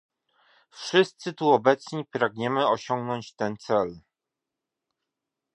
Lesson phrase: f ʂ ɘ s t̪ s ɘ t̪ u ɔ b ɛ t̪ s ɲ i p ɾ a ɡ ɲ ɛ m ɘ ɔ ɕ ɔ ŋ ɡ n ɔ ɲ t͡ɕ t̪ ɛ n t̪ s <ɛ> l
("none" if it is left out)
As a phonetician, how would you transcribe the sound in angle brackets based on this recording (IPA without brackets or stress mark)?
ɛ